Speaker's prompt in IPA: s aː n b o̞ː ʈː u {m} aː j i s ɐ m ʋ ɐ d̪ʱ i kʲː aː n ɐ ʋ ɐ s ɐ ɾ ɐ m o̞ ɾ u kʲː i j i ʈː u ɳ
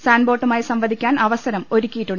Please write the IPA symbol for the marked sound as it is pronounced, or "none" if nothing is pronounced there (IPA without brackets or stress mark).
m